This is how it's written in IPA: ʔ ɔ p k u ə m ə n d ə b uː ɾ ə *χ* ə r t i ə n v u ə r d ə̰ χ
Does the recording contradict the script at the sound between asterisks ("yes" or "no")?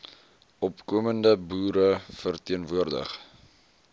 yes